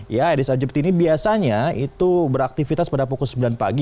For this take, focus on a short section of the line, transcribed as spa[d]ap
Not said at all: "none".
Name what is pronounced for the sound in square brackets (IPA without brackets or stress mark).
d